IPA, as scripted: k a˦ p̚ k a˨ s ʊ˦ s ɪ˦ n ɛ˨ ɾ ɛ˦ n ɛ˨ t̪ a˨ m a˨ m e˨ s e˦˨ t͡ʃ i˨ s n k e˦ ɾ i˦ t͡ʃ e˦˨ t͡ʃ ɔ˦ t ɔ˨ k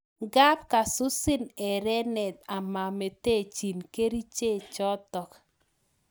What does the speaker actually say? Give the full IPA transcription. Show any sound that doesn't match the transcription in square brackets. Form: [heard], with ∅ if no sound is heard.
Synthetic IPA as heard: [ɡ] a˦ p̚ k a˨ s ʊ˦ s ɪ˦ n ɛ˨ ɾ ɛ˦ n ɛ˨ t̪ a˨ m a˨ m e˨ [t] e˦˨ t͡ʃ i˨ [∅] n k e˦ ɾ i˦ t͡ʃ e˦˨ t͡ʃ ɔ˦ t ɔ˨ k